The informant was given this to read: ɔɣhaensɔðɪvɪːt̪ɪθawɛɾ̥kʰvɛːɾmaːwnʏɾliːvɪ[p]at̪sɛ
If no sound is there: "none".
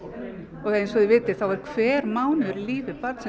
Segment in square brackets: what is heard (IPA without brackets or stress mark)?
p